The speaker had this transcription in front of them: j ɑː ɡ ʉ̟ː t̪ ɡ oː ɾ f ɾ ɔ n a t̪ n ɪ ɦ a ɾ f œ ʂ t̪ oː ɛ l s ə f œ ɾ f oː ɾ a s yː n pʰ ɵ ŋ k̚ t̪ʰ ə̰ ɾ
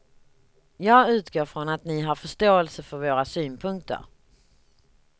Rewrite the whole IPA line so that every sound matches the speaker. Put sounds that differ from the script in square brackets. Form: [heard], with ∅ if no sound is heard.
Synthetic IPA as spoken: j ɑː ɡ ʉ̟ː t̪ ɡ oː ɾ f ɾ ɔ n a t̪ n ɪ ɦ a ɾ f œ ʂ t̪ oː ɛ l s ə f œ ɾ [v] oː ɾ a s yː n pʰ ɵ ŋ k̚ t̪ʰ ə̰ ɾ